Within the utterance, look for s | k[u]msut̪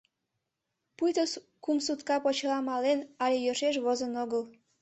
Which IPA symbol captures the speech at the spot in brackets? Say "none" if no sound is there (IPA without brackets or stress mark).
u